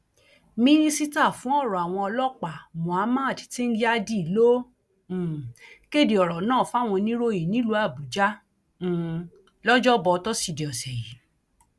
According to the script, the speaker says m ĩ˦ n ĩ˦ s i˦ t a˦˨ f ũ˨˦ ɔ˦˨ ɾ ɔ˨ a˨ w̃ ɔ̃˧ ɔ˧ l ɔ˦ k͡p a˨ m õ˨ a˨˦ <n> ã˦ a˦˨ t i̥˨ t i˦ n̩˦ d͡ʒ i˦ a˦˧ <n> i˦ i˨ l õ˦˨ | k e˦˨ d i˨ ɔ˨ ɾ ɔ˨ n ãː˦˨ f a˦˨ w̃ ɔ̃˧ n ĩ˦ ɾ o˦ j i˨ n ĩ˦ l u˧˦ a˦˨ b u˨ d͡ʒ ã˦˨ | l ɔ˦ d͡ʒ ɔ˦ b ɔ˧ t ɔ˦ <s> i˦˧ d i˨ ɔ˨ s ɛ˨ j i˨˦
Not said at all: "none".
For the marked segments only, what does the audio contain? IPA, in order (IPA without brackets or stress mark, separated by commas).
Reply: m, d, s